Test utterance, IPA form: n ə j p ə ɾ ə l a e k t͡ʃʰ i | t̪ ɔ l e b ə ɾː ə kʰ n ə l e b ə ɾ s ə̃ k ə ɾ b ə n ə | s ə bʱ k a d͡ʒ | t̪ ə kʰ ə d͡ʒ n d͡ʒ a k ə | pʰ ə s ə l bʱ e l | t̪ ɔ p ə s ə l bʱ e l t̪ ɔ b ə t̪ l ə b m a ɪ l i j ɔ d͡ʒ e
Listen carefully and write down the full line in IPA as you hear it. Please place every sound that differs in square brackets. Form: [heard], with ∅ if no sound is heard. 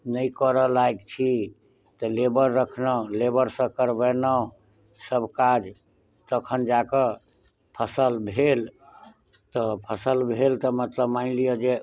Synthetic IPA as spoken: n ə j [k] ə ɾ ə l a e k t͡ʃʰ i | t̪ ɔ l e b ə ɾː ə kʰ n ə l e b ə ɾ s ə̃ k ə ɾ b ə n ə | s ə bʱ k a d͡ʒ | t̪ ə kʰ ə [∅] n d͡ʒ a k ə | pʰ ə s ə l bʱ e l | t̪ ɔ [pʰ] ə s ə l bʱ e l t̪ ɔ [m] ə t̪ l ə b m a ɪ l i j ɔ d͡ʒ e